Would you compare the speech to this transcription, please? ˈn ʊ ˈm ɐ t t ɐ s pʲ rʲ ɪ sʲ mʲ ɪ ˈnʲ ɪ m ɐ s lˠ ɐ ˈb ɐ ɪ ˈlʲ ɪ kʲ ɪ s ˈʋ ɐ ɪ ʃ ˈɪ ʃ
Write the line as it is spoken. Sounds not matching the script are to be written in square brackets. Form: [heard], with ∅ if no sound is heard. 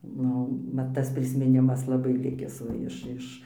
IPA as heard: ˈn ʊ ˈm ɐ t t ɐ s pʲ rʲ ɪ sʲ mʲ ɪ ˈnʲ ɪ m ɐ s lˠ ɐ ˈb ɐ ɪ ˈlʲ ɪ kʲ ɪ s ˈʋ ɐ ɪ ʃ ˈɪ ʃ